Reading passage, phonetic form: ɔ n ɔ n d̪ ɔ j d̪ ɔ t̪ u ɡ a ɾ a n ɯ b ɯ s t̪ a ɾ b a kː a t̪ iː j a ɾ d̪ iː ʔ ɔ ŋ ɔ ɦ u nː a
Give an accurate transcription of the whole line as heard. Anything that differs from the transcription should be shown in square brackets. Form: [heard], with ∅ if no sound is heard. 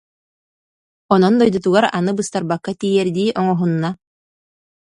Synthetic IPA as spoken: ɔ n ɔ n d̪ ɔ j d̪ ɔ t̪ u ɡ a ɾ a n ɯ b ɯ s t̪ a ɾ b a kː a t̪ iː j [ɛ] ɾ d̪ iː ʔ ɔ ŋ ɔ ɦ u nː a